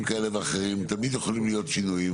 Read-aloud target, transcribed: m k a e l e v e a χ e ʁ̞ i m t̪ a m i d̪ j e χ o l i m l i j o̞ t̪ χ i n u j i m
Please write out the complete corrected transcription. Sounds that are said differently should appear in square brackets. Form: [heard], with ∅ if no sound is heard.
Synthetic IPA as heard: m k a e l e v e a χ e ʁ̞ i m t̪ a m i d̪ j e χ o l i m l i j o̞ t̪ [ʃ] i n u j i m